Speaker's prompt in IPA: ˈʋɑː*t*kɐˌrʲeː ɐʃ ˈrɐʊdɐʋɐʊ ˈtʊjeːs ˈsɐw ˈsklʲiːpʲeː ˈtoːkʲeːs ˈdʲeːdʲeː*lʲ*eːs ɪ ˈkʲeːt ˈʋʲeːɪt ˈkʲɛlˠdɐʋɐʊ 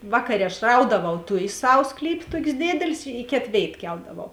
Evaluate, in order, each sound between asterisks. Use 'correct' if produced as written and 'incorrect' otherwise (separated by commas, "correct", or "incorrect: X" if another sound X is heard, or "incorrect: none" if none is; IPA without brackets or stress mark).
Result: incorrect: none, correct